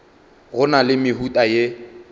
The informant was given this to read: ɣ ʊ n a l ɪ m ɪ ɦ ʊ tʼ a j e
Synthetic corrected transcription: ɣ ʊ n a l ɪ m ɪ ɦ u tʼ a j e